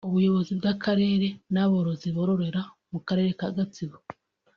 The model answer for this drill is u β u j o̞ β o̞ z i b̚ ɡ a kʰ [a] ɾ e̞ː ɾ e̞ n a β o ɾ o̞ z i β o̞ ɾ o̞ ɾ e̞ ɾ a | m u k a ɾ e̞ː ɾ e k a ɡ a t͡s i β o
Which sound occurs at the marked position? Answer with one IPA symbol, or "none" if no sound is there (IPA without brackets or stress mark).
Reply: a